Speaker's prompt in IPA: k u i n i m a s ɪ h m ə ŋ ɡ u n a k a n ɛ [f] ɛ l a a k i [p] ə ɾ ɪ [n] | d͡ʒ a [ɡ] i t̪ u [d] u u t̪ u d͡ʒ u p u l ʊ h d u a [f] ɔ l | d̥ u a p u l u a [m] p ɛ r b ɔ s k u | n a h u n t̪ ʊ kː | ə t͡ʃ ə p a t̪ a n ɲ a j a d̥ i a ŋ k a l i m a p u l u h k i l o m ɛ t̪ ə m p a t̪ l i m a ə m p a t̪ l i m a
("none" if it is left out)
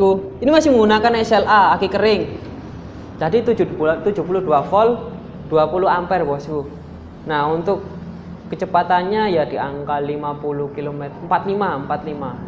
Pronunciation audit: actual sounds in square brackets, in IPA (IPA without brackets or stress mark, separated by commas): s, k, ŋ, d, d͡ʒ, f, m